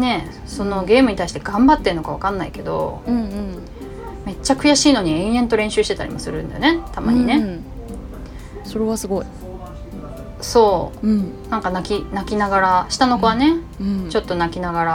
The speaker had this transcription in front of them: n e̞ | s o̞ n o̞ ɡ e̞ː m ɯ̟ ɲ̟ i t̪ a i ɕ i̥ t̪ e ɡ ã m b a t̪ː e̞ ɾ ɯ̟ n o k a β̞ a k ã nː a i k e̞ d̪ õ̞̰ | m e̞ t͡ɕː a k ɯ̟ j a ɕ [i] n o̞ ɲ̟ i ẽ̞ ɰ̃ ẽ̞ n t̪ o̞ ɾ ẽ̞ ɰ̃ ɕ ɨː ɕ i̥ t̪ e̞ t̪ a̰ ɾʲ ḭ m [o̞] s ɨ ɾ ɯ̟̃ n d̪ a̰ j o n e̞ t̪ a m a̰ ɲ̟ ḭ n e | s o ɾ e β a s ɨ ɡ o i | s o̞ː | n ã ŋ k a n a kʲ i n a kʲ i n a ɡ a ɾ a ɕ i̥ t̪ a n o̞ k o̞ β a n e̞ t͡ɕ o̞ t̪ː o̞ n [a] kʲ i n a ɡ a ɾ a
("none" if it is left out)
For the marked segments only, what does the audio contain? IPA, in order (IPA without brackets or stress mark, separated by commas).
iː, o̞, a